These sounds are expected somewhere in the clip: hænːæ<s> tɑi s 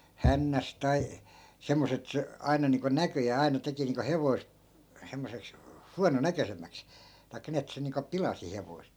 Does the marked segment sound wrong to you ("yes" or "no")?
no